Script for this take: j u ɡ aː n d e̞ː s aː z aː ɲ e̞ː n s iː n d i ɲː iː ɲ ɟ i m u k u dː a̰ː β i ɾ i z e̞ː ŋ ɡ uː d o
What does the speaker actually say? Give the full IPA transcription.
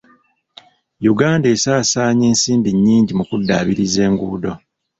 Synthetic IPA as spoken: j u ɡ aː n d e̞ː s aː s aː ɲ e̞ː n s iː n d i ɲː iː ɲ ɟ i m u k u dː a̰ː β i ɾ i z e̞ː ŋ ɡ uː d o